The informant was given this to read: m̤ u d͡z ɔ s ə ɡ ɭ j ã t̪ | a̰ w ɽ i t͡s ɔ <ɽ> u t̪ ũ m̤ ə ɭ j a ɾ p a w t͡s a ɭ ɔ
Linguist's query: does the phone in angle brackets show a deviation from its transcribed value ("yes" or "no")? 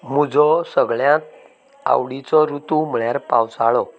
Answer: yes